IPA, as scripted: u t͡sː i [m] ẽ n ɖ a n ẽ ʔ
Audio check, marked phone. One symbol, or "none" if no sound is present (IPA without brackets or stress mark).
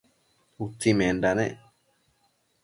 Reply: m